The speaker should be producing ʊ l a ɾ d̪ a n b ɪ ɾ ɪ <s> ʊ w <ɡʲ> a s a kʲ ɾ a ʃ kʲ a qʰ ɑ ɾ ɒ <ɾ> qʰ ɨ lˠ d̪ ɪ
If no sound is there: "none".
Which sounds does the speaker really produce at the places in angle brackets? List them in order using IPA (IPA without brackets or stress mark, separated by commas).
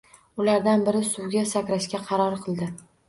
s, ɡʲ, ɾ